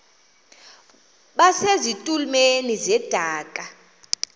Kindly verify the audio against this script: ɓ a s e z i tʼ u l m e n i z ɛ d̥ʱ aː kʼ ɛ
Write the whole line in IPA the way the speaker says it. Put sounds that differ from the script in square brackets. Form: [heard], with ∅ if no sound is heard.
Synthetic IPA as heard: ɓ a s e z i tʼ u l m e n i z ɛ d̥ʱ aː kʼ [a]